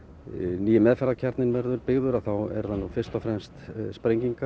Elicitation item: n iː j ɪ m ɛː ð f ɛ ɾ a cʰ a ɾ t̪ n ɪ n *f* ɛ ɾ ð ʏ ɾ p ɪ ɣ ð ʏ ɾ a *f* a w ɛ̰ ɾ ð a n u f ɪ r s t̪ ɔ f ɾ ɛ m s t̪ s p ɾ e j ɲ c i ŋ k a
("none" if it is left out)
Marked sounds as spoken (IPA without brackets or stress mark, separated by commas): v, θ